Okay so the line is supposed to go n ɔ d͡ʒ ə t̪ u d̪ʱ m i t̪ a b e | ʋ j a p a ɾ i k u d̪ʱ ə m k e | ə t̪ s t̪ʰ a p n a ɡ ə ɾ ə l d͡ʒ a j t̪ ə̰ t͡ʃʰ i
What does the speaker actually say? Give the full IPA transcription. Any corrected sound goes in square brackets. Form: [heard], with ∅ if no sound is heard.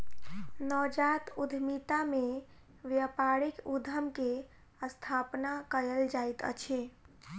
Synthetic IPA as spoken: n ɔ d͡ʒ [a] t̪ u d̪ʱ m i t̪ a [m] e | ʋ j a p a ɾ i k u d̪ʱ ə m k e | ə [∅] s t̪ʰ a p n a [k] ə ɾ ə l d͡ʒ a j t̪ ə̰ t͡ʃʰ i